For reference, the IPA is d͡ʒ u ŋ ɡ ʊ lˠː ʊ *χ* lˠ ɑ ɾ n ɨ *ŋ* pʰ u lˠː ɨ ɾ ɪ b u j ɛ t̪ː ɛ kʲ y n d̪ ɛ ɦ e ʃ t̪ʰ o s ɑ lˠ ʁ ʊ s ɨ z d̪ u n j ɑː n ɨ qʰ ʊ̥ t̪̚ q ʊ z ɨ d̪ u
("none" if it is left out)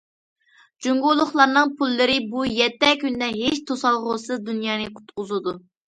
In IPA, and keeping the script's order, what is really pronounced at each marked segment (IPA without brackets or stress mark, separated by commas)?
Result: χ, ŋ